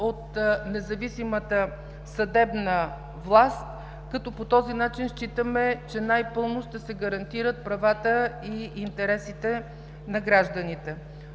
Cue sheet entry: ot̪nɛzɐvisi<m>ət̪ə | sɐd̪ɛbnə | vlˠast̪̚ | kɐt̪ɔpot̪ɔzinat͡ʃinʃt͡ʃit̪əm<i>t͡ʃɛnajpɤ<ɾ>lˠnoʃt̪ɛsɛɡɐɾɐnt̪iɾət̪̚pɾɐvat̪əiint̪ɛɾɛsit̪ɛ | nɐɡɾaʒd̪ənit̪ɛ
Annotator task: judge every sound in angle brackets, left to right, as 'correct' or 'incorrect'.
correct, incorrect, incorrect

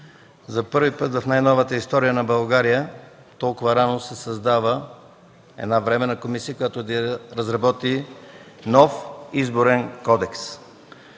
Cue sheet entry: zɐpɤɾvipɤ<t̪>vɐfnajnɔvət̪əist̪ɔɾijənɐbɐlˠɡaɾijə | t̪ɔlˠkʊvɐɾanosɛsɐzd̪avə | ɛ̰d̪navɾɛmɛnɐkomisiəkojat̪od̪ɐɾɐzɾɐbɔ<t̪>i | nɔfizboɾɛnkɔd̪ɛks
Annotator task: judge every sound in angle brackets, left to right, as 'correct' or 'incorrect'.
correct, correct

